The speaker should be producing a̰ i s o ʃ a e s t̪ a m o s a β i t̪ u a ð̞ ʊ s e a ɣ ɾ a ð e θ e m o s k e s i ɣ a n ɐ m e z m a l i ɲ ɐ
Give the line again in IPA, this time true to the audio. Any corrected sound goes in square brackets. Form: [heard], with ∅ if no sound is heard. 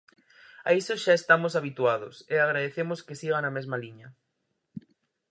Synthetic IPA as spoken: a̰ i s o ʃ a e s t̪ a m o s a β i t̪ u a ð̞ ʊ s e a ɣ ɾ a ð e θ e m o s k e s i ɣ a n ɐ m e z m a l i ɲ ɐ